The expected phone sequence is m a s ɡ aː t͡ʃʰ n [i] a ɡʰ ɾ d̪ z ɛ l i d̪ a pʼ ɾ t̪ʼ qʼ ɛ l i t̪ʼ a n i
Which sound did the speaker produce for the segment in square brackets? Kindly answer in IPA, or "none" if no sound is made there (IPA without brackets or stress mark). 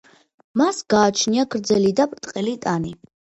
i